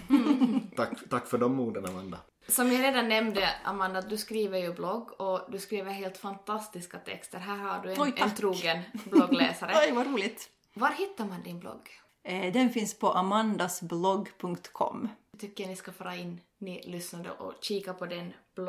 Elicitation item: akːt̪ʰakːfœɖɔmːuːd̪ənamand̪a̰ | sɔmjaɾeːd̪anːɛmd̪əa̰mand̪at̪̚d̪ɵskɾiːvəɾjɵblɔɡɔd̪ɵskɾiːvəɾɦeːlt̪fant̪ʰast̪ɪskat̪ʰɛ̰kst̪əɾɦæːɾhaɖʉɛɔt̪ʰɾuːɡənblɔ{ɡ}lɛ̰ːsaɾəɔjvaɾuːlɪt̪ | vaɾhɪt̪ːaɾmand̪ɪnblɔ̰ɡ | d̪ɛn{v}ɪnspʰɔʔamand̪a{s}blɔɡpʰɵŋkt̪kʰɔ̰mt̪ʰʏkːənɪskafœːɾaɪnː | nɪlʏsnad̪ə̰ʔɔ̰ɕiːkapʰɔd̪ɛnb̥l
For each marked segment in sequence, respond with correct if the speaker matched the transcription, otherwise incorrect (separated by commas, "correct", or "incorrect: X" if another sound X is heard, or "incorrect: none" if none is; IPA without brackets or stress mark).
correct, incorrect: f, correct